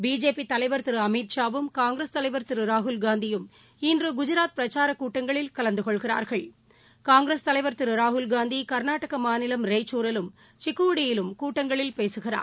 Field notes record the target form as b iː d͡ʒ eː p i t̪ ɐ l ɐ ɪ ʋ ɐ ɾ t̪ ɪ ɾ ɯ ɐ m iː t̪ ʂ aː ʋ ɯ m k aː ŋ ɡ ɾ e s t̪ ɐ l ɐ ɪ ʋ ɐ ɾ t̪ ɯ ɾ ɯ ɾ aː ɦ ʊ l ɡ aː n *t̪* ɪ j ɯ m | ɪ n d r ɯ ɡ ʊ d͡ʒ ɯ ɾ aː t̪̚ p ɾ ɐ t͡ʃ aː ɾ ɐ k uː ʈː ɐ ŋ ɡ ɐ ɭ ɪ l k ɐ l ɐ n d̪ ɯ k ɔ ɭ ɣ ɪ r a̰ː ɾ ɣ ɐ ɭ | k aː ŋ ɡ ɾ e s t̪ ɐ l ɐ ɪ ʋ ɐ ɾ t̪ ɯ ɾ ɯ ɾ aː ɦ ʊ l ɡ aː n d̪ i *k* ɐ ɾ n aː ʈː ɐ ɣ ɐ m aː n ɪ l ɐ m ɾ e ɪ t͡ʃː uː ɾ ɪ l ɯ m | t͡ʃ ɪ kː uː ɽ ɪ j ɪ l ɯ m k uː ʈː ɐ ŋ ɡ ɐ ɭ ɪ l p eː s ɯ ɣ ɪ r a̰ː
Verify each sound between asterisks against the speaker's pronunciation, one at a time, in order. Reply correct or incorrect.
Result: incorrect, correct

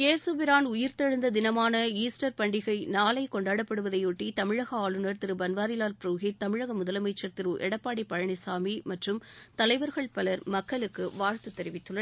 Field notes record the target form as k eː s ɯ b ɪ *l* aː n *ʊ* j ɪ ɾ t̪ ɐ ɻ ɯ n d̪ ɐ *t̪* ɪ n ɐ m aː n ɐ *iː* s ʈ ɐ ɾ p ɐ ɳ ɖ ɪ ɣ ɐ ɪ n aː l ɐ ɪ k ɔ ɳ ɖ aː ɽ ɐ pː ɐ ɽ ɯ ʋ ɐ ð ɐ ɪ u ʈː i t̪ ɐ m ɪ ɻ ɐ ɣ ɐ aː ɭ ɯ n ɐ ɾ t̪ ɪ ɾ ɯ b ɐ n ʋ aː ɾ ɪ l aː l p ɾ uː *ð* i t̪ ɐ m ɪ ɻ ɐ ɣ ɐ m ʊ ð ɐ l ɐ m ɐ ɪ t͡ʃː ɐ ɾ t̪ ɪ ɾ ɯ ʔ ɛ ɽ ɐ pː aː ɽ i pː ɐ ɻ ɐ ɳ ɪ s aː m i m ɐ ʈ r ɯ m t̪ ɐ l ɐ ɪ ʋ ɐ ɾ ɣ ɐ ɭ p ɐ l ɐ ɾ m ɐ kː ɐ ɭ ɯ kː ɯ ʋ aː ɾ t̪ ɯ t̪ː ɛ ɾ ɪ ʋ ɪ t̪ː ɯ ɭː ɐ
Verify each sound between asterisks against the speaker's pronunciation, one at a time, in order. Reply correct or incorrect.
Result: incorrect, correct, incorrect, correct, incorrect

